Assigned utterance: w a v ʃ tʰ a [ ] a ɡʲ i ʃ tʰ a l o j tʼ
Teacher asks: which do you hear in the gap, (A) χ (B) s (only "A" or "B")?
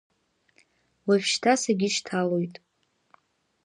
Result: B